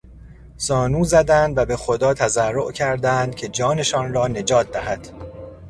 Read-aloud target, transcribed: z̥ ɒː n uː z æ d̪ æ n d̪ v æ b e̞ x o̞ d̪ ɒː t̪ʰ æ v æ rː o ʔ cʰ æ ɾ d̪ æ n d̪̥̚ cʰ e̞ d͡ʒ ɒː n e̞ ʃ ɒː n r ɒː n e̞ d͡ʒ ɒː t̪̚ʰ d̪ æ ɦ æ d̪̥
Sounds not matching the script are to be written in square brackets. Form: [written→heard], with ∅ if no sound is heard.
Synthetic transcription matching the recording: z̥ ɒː n uː z æ d̪ æ n d̪ v æ b e̞ x o̞ d̪ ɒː t̪ʰ æ [v→z] æ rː o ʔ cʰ æ ɾ d̪ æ n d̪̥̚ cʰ e̞ d͡ʒ ɒː n e̞ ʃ ɒː n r ɒː n e̞ d͡ʒ ɒː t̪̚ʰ d̪ æ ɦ æ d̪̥